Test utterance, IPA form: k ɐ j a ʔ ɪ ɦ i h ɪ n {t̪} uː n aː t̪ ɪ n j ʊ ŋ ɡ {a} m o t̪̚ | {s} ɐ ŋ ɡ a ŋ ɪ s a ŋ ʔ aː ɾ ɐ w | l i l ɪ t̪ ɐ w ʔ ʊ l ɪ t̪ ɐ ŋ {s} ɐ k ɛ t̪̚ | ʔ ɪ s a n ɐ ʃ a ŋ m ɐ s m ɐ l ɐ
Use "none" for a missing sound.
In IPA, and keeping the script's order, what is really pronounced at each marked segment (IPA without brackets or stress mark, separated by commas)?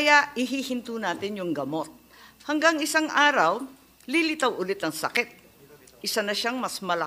t̪, ɐ, h, s